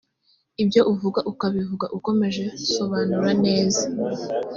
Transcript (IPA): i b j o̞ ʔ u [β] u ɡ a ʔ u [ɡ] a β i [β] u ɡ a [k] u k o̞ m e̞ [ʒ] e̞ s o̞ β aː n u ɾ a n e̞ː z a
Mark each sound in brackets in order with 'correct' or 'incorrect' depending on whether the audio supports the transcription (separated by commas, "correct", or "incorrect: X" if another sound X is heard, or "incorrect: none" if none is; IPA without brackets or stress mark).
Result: incorrect: v, incorrect: k, incorrect: v, incorrect: ʔ, correct